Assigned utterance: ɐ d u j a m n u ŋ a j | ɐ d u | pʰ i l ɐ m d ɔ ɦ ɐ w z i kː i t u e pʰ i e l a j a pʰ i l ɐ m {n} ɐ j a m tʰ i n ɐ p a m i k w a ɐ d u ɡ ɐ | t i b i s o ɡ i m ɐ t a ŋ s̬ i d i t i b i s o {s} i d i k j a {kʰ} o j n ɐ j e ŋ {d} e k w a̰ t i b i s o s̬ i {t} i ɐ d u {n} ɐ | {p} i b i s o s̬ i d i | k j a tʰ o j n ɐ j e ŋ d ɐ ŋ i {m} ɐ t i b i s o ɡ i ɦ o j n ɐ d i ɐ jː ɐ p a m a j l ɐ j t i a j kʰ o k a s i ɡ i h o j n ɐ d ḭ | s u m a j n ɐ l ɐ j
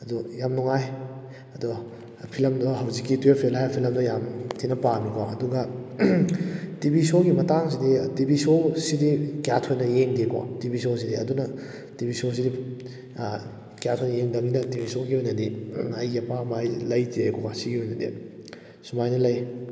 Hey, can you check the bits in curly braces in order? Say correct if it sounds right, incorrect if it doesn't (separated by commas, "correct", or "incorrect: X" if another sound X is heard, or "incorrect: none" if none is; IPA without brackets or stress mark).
incorrect: d, correct, incorrect: tʰ, correct, incorrect: d, correct, incorrect: t, incorrect: n